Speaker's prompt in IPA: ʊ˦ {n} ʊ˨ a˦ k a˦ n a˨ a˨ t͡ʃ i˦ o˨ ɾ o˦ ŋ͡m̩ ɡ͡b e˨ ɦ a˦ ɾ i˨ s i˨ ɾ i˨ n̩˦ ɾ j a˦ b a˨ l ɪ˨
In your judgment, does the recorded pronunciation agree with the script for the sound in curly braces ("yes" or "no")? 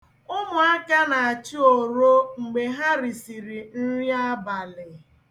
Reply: no